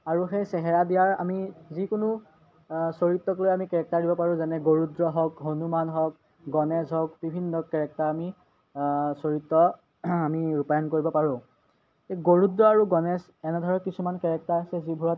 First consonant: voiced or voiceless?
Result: voiced